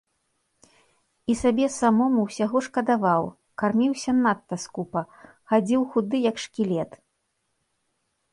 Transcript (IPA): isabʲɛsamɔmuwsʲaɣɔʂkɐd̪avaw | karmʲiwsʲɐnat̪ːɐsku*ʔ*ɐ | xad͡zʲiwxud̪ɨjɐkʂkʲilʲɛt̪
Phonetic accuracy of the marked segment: incorrect: p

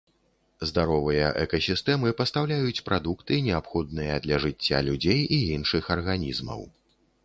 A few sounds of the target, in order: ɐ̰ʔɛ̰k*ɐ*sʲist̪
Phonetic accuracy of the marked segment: correct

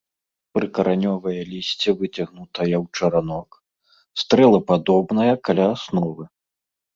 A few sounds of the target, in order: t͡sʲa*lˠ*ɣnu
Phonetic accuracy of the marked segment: incorrect: none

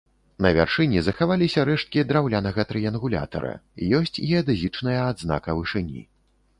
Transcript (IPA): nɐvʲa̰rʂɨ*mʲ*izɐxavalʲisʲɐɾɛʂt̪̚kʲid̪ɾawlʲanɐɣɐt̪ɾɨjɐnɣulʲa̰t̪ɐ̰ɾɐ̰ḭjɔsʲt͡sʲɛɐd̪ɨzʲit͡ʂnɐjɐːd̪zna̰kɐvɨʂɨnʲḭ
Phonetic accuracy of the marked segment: incorrect: nʲ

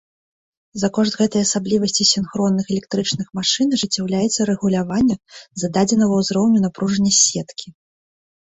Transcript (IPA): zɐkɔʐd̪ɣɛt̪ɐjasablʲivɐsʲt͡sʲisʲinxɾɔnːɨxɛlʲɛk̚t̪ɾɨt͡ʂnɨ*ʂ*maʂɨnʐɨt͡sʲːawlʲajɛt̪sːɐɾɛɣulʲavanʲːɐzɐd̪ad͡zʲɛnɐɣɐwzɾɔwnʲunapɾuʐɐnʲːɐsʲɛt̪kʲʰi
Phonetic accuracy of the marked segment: incorrect: x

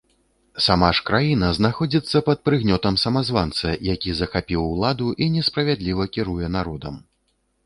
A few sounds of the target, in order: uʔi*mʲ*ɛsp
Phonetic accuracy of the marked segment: incorrect: nʲ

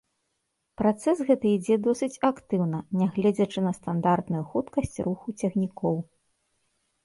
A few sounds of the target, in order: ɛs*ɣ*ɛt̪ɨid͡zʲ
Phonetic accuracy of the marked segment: correct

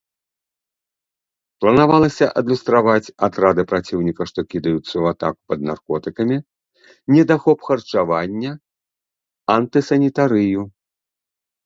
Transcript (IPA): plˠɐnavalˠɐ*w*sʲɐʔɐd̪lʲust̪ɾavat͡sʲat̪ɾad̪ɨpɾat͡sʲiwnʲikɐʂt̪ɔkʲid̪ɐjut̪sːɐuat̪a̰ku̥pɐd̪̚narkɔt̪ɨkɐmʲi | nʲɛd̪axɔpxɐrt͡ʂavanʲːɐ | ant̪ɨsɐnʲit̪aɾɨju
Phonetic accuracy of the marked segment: incorrect: none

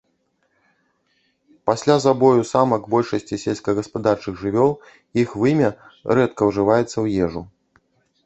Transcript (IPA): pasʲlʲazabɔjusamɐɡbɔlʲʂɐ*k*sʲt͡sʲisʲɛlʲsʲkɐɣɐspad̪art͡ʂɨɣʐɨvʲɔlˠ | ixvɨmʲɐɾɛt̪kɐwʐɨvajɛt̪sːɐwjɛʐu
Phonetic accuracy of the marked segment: incorrect: none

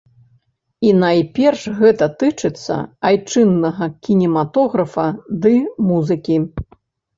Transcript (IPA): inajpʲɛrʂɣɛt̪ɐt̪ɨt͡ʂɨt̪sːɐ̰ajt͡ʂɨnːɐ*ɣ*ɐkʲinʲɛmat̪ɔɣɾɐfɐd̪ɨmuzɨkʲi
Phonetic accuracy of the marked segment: correct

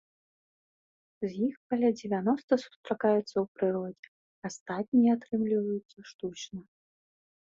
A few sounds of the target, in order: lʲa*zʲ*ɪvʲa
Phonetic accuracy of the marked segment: incorrect: d͡zʲ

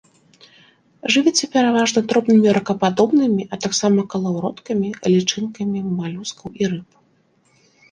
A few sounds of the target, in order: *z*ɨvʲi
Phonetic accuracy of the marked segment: incorrect: ʐ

